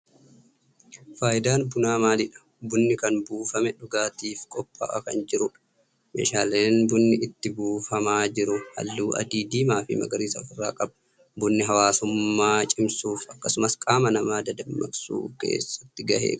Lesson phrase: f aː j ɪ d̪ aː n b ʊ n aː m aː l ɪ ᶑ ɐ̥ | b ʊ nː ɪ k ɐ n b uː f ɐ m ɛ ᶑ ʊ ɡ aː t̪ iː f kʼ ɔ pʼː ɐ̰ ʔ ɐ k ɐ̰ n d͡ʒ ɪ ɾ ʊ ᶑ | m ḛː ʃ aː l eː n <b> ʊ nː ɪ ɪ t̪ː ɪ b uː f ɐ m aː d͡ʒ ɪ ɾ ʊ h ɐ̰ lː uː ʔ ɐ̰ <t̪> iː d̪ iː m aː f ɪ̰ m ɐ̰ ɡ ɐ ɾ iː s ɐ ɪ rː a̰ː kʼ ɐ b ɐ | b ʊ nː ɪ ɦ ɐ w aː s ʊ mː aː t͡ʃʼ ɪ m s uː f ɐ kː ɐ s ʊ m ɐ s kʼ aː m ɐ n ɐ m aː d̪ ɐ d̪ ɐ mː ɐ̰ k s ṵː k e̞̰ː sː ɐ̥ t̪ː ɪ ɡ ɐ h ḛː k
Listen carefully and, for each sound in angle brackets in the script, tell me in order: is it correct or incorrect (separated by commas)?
correct, incorrect